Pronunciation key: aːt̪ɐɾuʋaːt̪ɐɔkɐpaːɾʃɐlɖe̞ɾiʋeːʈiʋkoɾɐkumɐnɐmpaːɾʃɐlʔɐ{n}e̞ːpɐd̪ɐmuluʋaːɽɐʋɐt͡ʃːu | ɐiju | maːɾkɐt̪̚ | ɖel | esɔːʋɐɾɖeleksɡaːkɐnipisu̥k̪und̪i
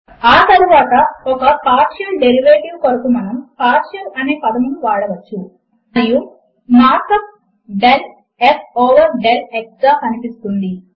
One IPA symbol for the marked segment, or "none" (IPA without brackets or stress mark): n